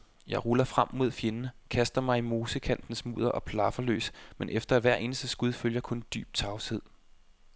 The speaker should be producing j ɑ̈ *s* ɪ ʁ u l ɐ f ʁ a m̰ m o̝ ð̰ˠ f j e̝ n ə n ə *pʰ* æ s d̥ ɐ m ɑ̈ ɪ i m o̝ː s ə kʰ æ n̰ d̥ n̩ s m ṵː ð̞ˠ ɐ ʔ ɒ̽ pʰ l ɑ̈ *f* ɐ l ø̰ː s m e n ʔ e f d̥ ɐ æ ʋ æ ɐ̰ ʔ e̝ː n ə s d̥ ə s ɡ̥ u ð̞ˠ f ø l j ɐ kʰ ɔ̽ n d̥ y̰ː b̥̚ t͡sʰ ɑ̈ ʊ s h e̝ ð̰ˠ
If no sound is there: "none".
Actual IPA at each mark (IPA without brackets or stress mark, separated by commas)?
none, kʰ, f